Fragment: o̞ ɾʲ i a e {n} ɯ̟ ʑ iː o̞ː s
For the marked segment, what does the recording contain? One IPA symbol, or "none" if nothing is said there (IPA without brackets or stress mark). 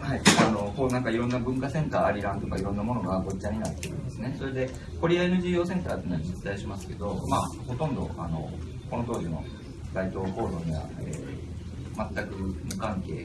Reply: n